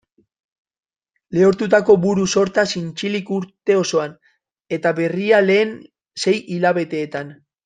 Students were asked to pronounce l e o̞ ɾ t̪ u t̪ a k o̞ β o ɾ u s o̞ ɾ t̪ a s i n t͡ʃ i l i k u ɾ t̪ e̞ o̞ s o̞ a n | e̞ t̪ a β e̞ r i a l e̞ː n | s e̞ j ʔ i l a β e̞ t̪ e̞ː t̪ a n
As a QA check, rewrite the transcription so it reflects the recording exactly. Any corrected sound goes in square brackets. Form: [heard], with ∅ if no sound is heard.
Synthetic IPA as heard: l e o̞ ɾ t̪ u t̪ a k o̞ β [u] ɾ u s o̞ ɾ t̪ a s i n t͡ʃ i l i k u ɾ t̪ e̞ o̞ s o̞ a n | e̞ t̪ a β e̞ r i a l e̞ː n | s e̞ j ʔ i l a β e̞ t̪ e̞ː t̪ a n